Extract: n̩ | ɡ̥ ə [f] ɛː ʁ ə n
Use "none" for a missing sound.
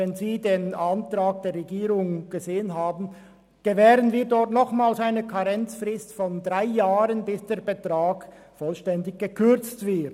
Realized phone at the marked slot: v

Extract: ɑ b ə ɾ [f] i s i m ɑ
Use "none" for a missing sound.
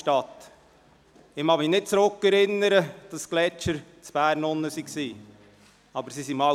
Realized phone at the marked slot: s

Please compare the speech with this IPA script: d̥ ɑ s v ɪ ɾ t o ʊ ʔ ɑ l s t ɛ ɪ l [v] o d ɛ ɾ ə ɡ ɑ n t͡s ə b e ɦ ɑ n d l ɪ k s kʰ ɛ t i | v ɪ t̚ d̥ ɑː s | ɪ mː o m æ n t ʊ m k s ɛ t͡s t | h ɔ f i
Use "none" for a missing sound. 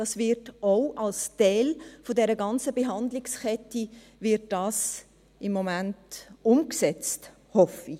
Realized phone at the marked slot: f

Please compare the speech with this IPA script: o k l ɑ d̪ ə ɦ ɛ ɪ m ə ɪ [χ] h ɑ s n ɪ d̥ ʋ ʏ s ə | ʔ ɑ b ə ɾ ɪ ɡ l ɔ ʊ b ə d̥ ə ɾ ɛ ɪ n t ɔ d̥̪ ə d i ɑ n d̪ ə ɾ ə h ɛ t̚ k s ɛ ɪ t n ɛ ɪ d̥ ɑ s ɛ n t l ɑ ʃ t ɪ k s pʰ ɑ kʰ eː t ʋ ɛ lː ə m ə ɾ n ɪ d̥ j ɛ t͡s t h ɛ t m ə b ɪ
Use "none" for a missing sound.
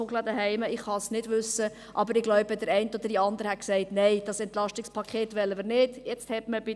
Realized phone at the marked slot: χ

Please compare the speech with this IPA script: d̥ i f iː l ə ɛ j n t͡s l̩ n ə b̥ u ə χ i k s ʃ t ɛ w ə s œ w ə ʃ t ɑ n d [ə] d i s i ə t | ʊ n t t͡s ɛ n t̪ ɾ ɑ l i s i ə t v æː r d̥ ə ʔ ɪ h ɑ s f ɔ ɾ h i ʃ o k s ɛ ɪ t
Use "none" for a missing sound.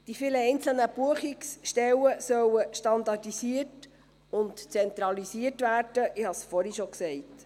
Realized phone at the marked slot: ɑ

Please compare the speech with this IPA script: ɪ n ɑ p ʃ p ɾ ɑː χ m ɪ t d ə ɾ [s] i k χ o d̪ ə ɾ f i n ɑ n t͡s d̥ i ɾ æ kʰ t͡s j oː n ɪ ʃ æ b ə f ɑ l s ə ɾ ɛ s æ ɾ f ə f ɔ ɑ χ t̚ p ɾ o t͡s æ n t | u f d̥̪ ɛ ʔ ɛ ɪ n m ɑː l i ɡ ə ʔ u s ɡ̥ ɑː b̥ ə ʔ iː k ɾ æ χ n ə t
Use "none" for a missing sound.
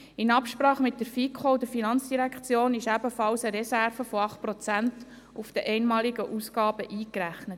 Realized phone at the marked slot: f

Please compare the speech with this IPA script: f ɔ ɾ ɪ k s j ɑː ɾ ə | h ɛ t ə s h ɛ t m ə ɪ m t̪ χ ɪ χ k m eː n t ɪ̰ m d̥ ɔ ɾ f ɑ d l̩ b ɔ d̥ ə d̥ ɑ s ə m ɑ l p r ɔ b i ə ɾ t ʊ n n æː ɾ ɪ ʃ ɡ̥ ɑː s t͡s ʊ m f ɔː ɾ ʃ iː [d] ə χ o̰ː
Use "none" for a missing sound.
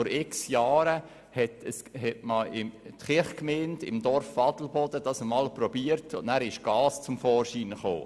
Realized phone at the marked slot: n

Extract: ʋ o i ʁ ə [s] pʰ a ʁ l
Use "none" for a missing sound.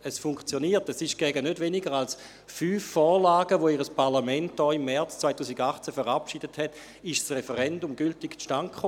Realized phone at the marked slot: s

